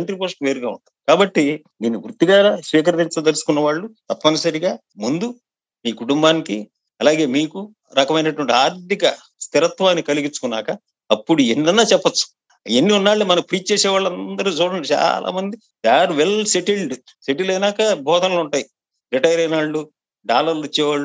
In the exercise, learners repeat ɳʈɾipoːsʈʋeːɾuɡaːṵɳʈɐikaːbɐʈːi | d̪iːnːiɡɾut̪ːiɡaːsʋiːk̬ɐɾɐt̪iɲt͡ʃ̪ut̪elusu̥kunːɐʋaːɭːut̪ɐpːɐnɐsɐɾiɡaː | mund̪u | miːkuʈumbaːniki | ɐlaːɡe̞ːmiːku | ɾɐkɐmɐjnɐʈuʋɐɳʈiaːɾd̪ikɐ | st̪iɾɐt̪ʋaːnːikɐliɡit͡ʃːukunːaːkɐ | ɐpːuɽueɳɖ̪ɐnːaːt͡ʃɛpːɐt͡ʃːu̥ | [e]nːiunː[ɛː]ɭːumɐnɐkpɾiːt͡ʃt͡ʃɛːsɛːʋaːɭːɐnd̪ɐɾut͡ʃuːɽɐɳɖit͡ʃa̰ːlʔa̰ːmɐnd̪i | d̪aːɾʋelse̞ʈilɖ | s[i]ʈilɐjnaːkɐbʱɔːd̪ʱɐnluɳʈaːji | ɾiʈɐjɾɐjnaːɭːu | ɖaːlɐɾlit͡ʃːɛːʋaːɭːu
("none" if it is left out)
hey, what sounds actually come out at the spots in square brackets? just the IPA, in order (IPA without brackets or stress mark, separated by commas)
e, aː, e